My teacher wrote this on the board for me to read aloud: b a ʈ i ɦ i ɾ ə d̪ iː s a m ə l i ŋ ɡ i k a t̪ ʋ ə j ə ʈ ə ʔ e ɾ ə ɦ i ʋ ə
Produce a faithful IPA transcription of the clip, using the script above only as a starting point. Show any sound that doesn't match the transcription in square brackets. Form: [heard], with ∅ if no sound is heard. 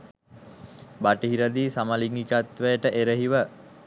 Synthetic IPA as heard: b a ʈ i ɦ i ɾ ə d̪ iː s a m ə l i ŋ ɡ i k a t̪ ʋ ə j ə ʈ ə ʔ e ɾ ə ɦ i ʋ ə

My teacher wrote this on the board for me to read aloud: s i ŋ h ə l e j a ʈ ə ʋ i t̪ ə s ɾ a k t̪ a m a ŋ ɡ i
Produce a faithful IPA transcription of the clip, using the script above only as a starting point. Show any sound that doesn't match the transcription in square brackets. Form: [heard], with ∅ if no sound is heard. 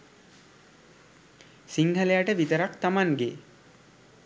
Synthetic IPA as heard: s i ŋ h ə l e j a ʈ ə ʋ i t̪ ə [∅] ɾ a k t̪ a m a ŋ ɡ [e]

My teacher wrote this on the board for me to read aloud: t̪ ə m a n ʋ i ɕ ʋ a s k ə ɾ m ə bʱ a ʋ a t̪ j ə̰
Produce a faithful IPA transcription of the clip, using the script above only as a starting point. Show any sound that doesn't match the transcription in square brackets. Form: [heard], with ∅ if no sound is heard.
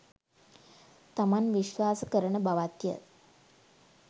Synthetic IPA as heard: t̪ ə m a n ʋ i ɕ ʋ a s k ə ɾ [ɳ] ə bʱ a ʋ a t̪ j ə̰

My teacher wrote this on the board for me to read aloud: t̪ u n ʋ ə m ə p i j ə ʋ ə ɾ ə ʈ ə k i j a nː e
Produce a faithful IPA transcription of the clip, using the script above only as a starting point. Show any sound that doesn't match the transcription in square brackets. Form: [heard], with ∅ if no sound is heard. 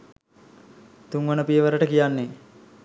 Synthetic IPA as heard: t̪ u [ŋ] ʋ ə [n] ə p i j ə ʋ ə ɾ ə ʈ ə k i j a nː e

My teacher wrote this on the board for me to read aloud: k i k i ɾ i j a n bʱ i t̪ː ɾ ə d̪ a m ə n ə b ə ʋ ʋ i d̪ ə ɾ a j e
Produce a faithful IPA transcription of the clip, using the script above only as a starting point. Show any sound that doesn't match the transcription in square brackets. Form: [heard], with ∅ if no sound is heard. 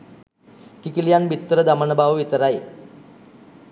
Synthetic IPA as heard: k i k i [l] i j a n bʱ i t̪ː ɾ ə d̪ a m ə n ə b [a] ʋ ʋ i [t̪] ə ɾ a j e

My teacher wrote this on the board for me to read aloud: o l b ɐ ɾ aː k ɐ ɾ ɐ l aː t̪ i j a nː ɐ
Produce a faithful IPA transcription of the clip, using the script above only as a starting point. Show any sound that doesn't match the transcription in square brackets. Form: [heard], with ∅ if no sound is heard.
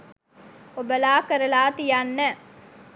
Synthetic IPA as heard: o [∅] b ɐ [l] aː k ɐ ɾ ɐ l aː t̪ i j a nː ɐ

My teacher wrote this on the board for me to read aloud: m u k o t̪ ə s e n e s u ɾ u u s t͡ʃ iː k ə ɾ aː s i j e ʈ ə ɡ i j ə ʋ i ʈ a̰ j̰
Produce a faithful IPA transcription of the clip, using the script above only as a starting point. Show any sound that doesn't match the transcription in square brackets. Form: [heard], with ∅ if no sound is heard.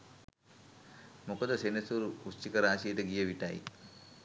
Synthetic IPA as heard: m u k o [d̪] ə s e n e s u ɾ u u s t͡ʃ [i] k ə ɾ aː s i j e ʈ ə ɡ i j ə ʋ i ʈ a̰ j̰

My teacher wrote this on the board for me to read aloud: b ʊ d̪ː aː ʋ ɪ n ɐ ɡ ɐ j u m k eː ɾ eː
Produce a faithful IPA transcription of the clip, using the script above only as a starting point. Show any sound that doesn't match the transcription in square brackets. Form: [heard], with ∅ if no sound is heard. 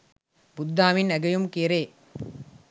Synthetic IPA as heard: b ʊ d̪ː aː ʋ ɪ n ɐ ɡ ɐ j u m k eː ɾ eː

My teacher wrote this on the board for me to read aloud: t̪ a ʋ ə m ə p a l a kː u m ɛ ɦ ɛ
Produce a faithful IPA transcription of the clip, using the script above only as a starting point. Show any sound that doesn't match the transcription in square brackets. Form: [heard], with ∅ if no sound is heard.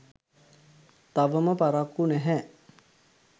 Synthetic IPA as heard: t̪ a ʋ ə m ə p a [ɾ] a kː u [n] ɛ ɦ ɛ

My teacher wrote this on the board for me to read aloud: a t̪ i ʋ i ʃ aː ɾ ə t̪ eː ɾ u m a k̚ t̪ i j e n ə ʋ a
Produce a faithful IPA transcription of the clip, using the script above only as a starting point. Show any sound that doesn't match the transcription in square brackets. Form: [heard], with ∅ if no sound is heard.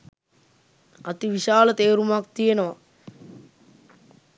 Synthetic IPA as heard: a t̪ i ʋ i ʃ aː [l] ə t̪ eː ɾ u m a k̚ t̪ i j e n ə ʋ a

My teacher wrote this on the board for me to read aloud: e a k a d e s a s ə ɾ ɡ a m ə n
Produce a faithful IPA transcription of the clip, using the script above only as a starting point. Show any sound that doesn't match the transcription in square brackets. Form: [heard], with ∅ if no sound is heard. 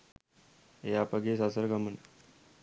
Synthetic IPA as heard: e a [p] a [ɡ] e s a s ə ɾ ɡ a m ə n

